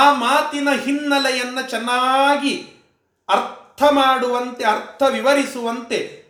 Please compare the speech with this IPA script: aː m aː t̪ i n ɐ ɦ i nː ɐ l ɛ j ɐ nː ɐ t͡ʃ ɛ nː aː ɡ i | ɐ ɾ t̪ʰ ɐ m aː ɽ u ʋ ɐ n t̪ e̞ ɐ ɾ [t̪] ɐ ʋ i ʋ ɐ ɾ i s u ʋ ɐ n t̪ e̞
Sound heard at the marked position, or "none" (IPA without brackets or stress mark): t̪ʰ